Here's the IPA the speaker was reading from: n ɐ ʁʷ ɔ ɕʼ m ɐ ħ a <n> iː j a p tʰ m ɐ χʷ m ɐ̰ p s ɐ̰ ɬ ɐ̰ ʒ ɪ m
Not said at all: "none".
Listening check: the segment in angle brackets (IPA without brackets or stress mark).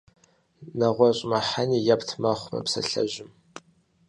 n